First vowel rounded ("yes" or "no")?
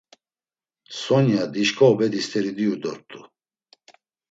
yes